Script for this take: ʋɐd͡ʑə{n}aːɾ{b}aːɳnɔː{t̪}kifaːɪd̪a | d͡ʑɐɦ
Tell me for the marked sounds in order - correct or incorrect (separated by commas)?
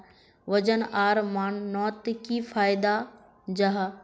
correct, incorrect, correct